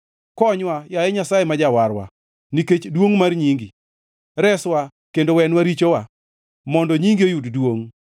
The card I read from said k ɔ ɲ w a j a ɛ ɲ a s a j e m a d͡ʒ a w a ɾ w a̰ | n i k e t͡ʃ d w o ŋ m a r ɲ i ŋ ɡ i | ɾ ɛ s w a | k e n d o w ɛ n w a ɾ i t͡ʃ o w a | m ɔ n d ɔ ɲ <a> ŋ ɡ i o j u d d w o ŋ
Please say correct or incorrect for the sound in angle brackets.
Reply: incorrect